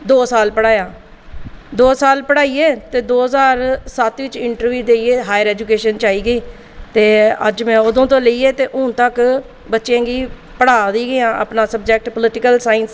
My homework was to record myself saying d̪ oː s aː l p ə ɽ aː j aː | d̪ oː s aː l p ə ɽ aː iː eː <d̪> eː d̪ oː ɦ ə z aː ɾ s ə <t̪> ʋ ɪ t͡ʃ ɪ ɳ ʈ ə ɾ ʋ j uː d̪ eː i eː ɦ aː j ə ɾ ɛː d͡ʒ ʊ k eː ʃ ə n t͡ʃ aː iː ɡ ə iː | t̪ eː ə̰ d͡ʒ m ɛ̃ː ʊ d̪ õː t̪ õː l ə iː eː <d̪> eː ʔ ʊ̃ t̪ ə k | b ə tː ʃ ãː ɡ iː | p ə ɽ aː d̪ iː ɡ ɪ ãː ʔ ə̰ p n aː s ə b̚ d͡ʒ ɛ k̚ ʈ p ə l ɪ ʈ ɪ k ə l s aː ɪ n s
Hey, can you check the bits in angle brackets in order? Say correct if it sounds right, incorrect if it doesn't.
incorrect, correct, incorrect

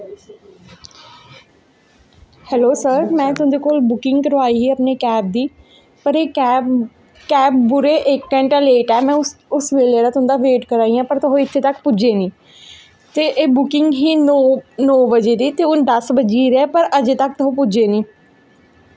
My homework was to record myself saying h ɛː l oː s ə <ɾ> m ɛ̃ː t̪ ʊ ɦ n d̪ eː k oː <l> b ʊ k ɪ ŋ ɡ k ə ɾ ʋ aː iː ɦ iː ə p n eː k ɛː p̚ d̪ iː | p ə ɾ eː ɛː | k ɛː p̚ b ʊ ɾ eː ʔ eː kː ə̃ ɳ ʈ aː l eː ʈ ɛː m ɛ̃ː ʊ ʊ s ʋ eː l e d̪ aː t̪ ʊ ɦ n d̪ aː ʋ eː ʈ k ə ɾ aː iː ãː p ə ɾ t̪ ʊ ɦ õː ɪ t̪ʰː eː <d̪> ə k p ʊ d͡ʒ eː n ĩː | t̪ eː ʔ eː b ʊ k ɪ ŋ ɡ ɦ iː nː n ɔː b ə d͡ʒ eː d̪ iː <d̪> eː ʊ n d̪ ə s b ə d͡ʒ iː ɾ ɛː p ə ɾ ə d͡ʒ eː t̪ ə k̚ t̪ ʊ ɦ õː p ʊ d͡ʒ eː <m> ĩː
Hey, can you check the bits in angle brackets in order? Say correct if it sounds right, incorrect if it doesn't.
correct, correct, incorrect, incorrect, incorrect

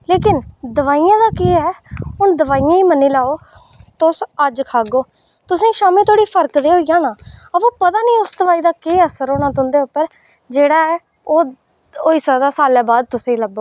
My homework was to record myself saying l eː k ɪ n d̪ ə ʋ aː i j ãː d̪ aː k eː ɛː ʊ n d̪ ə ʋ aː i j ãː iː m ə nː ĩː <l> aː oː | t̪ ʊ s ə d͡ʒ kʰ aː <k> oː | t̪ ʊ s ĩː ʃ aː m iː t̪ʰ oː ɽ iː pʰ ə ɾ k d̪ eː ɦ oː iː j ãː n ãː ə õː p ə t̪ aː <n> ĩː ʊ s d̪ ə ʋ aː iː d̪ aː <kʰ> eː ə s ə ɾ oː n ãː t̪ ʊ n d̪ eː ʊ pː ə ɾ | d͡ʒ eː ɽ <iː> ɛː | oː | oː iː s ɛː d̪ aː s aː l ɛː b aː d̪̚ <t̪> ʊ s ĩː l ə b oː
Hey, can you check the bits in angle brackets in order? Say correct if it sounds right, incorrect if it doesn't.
correct, incorrect, correct, incorrect, incorrect, correct

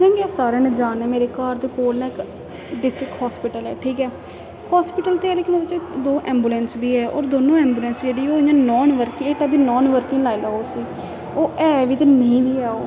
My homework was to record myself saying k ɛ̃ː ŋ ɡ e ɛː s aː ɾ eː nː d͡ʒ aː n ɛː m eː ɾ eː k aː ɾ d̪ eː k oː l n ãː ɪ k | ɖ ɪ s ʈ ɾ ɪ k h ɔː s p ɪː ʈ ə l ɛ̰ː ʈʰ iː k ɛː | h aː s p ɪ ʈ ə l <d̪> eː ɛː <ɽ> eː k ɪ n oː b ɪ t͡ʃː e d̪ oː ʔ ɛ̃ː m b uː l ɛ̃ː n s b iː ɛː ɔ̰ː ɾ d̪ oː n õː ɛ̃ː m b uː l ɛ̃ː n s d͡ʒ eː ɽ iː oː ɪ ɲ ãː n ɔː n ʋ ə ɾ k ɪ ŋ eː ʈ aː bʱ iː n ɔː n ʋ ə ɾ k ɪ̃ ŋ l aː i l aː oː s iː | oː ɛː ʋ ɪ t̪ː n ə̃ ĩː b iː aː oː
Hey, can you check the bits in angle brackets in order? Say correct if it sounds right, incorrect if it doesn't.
incorrect, incorrect

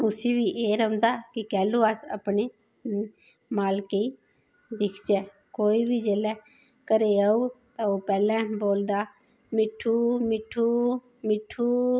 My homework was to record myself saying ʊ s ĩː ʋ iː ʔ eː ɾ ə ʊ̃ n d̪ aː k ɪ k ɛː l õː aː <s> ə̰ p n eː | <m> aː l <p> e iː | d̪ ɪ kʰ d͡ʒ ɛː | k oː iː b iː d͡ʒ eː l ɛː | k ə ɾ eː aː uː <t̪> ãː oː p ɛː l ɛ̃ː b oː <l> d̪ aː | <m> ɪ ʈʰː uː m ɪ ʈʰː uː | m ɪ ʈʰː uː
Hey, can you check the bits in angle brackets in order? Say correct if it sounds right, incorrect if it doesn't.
correct, correct, incorrect, correct, correct, correct

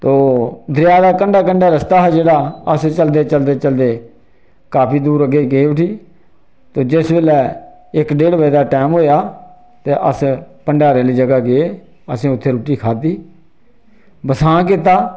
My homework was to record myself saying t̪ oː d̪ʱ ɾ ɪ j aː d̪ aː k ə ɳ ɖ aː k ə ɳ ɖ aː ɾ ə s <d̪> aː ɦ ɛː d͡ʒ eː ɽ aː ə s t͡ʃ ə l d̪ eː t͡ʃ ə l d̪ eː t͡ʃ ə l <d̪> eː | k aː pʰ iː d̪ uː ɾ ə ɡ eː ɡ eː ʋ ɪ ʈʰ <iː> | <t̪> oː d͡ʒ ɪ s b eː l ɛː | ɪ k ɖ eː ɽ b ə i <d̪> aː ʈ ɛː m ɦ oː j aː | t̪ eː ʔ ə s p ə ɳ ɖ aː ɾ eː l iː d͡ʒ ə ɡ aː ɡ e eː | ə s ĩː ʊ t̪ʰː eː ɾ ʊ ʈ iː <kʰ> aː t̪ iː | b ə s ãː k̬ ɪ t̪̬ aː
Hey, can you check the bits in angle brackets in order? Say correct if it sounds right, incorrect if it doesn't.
incorrect, correct, correct, correct, correct, correct

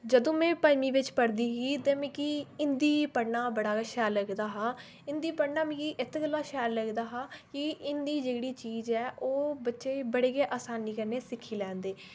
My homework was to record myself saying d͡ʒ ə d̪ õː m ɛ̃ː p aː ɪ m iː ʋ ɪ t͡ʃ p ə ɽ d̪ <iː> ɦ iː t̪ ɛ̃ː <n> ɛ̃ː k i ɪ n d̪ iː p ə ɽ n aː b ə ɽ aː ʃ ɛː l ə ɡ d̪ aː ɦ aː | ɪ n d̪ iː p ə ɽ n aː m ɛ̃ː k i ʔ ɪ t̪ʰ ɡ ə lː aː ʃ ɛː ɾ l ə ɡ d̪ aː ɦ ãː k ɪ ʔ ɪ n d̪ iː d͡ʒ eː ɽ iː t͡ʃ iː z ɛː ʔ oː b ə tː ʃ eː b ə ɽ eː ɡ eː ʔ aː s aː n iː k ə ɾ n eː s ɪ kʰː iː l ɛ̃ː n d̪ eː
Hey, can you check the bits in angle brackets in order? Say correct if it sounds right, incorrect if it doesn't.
correct, incorrect

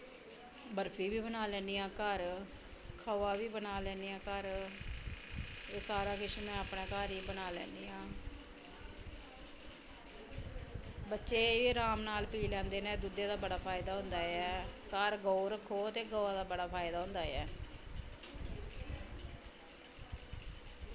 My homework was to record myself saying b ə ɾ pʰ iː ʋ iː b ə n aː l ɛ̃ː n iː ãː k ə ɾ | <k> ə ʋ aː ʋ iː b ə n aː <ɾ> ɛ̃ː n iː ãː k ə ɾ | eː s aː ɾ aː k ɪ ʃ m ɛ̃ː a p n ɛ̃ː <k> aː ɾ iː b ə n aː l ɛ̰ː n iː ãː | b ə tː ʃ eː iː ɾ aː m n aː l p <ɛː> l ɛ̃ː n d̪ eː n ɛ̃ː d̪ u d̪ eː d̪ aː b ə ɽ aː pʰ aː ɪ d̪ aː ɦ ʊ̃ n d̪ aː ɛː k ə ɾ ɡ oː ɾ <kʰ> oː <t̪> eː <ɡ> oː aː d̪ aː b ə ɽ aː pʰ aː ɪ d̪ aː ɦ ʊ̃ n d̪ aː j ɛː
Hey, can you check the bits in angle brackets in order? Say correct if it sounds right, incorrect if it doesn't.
incorrect, incorrect, correct, incorrect, correct, correct, correct

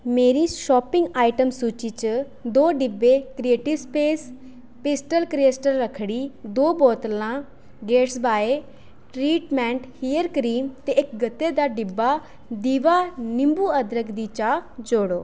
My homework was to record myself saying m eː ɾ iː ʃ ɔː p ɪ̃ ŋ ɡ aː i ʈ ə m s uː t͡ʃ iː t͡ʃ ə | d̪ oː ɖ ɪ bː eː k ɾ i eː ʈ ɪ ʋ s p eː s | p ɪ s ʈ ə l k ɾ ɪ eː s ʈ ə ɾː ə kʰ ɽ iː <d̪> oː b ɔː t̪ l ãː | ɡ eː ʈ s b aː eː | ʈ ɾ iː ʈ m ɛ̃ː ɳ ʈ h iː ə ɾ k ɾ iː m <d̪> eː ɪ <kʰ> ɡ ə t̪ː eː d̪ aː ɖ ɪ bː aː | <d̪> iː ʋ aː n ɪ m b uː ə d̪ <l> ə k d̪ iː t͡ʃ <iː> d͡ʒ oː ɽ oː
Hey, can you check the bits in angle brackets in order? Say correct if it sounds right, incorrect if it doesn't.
correct, incorrect, incorrect, correct, incorrect, incorrect

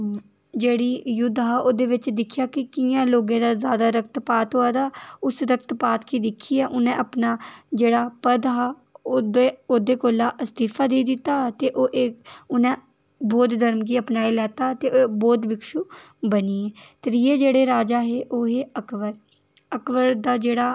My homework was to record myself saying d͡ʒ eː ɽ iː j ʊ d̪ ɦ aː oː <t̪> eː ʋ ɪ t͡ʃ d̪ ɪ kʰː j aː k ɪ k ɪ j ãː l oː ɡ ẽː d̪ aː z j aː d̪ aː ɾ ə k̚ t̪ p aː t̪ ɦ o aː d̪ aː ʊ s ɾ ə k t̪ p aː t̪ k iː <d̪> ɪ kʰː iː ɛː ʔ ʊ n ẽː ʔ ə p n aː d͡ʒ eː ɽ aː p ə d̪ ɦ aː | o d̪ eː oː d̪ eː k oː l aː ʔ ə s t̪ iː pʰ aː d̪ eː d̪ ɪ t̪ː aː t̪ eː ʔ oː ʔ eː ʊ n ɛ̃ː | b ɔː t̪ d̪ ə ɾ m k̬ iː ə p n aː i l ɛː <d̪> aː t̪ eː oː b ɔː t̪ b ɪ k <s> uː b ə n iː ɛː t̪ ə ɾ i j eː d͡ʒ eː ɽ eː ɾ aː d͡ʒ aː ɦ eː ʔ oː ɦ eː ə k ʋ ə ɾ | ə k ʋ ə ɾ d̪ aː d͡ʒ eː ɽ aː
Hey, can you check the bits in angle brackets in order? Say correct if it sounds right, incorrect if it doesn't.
incorrect, correct, incorrect, incorrect

